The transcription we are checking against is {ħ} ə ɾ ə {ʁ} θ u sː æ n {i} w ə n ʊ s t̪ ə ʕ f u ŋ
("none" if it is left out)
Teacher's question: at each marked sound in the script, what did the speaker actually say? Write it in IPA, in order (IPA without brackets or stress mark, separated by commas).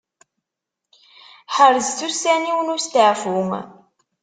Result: ħ, z, i